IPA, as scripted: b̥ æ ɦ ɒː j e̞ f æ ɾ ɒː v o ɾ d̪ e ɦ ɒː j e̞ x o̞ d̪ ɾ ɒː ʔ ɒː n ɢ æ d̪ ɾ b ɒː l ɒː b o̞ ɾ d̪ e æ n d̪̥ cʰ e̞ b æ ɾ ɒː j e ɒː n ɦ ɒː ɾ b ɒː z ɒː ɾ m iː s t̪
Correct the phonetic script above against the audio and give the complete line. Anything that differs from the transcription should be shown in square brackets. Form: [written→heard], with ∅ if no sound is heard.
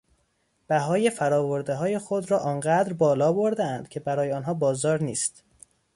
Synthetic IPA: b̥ æ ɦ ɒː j e̞ f æ ɾ ɒː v o ɾ d̪ e ɦ ɒː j e̞ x o̞ d̪ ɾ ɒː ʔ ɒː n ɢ æ d̪ ɾ b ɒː l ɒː b o̞ ɾ d̪ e æ n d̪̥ cʰ e̞ b æ ɾ ɒː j e ɒː n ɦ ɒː [ɾ→∅] b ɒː z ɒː ɾ [m→n] iː s t̪